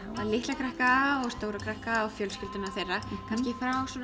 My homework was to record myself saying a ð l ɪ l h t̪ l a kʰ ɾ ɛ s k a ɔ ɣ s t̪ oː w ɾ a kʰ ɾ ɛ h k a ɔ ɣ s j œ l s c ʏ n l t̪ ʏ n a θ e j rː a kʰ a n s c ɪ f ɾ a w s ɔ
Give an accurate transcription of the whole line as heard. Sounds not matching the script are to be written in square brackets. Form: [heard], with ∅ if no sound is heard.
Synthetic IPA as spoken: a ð l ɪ [∅] h t̪ l a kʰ ɾ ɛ [h] k a ɔ ɣ s t̪ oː w ɾ a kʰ ɾ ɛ h k a ɔ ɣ [f] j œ l s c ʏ [∅] l t̪ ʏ n a θ e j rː a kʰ a n s c ɪ f ɾ a w s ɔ